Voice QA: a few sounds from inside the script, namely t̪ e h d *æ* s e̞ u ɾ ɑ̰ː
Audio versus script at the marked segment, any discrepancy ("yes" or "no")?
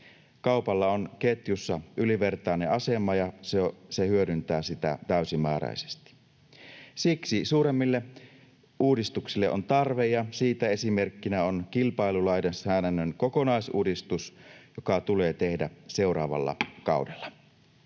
no